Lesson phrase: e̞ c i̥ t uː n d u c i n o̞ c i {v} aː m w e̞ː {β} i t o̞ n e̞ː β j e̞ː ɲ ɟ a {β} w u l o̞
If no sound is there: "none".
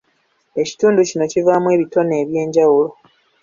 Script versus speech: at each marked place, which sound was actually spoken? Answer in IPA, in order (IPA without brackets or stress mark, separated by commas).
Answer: v, β, none